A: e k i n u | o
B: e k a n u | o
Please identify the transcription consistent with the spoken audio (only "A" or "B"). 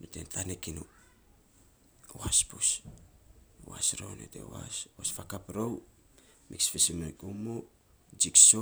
A